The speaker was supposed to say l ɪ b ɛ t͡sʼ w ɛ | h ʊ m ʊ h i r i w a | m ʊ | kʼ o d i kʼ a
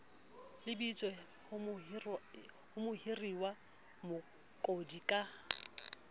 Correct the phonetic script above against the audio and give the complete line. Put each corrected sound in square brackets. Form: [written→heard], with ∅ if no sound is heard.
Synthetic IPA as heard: l ɪ b [ɛ→i] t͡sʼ w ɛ | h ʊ m ʊ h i r i w a | m ʊ | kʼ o d i kʼ a